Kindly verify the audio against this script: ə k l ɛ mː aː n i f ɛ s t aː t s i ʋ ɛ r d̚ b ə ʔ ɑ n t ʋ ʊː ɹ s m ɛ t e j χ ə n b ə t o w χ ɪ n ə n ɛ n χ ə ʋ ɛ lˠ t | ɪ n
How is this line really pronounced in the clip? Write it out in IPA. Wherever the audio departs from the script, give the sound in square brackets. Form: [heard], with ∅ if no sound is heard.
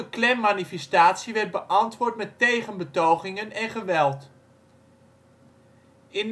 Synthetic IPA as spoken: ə k l ɛ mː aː n i f ɛ s t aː t s i ʋ ɛ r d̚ b ə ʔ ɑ n t ʋ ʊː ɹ [t] m ɛ t e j χ ə n b ə t o w χ ɪ [ŋ] ə n ɛ n χ ə ʋ ɛ lˠ t | ɪ n